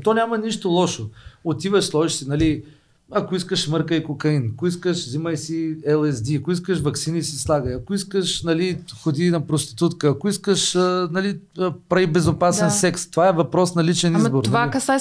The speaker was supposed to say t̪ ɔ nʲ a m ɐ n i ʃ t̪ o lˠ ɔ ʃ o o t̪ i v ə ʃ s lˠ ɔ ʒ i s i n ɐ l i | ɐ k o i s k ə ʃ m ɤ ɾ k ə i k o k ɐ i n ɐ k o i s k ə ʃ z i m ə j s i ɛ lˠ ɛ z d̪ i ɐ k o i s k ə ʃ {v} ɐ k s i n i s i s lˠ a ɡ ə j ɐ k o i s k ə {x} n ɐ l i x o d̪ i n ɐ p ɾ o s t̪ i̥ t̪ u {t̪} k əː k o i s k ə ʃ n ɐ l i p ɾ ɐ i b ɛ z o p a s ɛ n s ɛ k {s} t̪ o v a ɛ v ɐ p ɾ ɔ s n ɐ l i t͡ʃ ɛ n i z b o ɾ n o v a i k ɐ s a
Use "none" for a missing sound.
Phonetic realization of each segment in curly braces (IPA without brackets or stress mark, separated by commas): v, ʃ, t̪, s